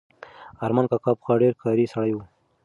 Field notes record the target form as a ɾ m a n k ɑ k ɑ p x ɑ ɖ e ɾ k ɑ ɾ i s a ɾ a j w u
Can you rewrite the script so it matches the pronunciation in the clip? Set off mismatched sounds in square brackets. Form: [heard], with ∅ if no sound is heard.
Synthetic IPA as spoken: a ɾ m a n k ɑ k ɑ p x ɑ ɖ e ɾ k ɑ ɾ i s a [ɽ] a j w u